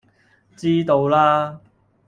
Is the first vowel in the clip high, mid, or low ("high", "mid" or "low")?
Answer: high